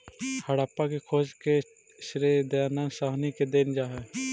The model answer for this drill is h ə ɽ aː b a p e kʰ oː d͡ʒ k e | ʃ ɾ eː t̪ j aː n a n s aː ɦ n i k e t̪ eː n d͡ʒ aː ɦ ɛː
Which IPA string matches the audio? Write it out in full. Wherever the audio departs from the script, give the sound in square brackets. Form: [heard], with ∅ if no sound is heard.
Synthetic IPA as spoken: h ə ɽ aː [p] a [k] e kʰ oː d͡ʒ k e | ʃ ɾ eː [d̪] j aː n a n s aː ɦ n i k e [d̪] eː n d͡ʒ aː ɦ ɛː